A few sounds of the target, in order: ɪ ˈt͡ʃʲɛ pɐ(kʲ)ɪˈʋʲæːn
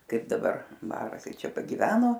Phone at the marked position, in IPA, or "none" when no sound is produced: ɡʲ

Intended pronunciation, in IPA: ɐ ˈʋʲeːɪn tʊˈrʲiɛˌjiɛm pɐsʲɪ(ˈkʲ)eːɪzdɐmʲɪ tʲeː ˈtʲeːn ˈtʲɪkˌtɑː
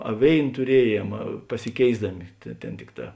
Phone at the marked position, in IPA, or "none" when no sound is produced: kʲ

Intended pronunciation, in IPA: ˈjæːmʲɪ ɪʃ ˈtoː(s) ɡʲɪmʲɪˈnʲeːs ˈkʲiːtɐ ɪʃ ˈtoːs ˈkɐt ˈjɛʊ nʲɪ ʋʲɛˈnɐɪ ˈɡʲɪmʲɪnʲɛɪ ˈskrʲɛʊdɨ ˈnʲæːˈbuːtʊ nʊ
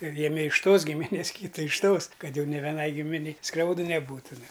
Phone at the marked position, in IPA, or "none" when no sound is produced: s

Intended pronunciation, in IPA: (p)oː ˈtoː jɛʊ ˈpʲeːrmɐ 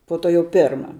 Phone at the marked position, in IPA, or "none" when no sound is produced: p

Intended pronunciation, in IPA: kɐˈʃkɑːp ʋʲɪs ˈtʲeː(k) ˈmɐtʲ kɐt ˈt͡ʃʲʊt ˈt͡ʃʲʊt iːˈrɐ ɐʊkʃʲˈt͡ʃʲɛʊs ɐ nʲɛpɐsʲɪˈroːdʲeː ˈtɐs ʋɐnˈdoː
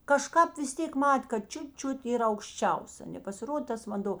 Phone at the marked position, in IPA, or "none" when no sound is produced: k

